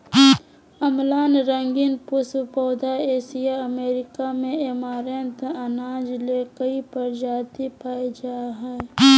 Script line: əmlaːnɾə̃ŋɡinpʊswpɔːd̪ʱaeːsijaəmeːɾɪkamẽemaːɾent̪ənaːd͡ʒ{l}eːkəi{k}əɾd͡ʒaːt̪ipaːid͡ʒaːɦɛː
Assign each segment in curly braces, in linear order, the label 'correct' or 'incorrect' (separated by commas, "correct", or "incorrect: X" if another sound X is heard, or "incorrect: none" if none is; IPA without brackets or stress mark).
correct, incorrect: p